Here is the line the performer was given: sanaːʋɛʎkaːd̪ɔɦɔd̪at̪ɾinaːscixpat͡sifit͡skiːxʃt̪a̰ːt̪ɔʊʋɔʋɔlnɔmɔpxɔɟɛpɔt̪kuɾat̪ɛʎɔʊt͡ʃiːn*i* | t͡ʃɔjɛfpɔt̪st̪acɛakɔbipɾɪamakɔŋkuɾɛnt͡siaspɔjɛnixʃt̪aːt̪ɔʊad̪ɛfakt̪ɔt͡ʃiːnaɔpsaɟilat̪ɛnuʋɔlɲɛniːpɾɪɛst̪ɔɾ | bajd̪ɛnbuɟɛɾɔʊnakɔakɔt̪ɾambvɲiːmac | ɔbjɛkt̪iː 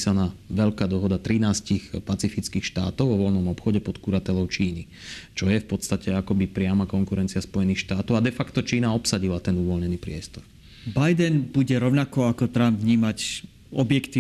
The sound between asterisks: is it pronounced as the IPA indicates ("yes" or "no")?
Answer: yes